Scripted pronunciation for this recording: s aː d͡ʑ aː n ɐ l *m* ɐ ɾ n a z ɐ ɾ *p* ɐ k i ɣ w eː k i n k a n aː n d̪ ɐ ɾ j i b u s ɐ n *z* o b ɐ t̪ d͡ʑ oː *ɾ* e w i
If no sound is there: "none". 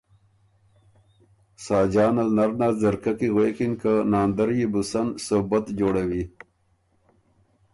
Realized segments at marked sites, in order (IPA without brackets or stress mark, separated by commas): n, k, s, ɽ